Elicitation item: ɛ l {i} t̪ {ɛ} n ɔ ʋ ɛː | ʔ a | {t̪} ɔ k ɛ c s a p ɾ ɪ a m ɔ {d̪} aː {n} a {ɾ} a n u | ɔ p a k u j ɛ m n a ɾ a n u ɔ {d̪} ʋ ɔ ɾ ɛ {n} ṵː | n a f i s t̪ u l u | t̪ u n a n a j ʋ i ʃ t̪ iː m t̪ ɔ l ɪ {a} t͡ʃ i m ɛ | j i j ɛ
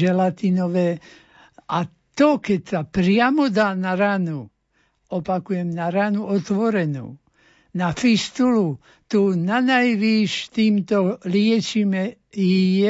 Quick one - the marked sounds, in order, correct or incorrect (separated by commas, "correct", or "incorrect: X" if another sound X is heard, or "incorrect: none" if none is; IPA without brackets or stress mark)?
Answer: incorrect: a, incorrect: i, correct, correct, correct, correct, incorrect: t̪, correct, incorrect: ɛ